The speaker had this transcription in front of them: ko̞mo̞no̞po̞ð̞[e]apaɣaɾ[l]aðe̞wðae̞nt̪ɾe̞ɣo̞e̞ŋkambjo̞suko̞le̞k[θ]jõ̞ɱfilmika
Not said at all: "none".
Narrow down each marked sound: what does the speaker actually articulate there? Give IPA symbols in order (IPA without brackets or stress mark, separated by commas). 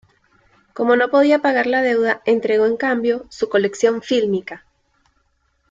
i, l, s